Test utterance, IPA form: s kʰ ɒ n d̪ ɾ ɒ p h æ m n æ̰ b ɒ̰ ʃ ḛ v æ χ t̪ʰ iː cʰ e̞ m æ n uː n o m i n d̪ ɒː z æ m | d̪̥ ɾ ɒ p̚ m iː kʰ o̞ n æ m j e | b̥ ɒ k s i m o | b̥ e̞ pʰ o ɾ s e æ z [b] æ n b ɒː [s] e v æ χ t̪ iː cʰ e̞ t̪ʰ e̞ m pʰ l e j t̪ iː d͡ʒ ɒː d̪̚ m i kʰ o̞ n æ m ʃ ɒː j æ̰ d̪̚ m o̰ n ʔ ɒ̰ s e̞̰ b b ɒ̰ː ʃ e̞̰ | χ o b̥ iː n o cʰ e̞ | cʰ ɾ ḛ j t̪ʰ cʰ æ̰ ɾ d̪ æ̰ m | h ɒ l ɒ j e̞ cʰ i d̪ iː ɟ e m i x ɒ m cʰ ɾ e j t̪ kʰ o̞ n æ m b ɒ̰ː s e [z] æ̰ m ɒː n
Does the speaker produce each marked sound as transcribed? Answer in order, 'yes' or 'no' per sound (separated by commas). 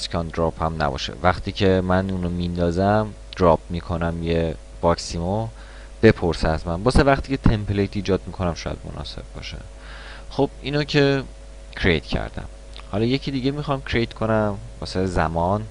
no, yes, yes